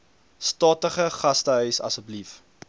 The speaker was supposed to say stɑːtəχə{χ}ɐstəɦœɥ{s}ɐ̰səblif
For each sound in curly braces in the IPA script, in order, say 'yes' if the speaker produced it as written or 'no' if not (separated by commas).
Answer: yes, yes